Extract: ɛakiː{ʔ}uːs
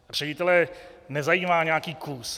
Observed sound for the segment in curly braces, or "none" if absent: k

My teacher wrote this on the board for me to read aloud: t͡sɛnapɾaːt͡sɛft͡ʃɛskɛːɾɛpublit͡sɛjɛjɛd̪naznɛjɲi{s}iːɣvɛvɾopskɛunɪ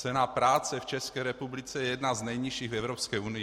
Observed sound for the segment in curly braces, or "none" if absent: ʃ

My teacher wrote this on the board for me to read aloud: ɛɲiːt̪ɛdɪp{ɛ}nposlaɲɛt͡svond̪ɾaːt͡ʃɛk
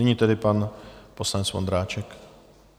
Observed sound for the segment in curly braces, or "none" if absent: a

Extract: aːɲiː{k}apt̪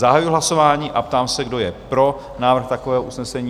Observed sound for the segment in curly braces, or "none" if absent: ʔ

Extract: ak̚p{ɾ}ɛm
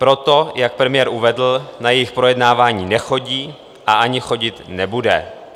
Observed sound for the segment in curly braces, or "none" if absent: ɾ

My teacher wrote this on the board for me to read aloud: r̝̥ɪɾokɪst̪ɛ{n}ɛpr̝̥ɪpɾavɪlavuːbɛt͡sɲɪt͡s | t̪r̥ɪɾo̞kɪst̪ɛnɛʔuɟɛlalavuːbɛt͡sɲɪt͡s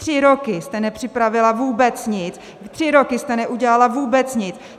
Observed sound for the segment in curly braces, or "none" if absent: n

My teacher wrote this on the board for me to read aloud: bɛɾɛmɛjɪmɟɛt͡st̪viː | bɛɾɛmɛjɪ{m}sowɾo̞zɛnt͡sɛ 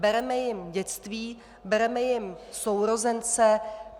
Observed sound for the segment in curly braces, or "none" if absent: m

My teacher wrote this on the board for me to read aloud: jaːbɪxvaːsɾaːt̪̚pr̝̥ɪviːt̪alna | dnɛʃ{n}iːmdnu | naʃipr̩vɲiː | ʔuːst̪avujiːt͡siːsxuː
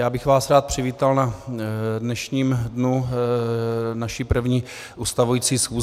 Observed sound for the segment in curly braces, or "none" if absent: ɲ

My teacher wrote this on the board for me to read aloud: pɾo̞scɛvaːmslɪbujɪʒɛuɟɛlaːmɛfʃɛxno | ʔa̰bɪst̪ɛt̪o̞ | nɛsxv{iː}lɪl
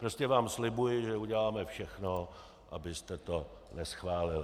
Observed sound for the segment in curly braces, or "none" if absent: aː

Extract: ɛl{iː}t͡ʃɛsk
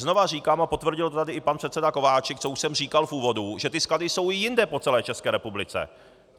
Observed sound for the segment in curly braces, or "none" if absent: ɛː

